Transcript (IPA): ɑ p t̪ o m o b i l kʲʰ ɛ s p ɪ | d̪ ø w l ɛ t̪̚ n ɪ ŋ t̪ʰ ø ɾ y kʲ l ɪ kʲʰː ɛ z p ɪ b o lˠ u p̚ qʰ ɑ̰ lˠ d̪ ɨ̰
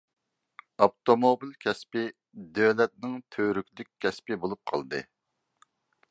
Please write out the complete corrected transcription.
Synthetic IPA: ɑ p t̪ o m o b i l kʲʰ ɛ s p ɪ | d̪ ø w l ɛ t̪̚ n ɪ ŋ t̪ʰ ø ɾ y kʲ l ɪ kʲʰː ɛ s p ɪ b o lˠ u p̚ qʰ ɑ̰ lˠ d̪ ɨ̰